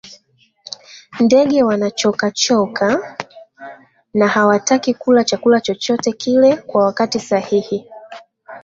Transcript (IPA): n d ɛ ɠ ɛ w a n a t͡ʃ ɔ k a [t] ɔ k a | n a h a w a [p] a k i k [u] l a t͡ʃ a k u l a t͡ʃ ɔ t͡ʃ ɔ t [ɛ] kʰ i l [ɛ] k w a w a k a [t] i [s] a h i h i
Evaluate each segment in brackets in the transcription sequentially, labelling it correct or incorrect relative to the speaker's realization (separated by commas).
incorrect, incorrect, correct, correct, correct, correct, correct